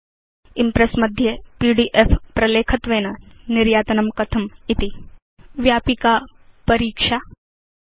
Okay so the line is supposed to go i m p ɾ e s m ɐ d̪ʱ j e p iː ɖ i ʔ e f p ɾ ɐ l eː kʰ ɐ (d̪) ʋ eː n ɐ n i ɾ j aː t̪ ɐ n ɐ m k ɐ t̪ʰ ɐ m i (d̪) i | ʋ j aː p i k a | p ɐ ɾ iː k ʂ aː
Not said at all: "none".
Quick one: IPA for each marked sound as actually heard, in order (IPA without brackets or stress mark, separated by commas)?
t̪, t̪